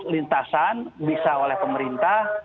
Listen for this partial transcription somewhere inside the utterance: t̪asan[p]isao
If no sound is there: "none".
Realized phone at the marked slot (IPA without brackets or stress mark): b